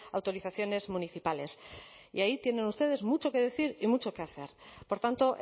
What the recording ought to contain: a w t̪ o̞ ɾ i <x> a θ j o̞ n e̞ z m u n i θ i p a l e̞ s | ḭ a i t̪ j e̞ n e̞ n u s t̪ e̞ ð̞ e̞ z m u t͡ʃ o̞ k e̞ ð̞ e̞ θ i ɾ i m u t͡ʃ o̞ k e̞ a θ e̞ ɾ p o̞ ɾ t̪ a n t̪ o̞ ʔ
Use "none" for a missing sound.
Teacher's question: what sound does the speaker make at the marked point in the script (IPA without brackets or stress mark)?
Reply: θ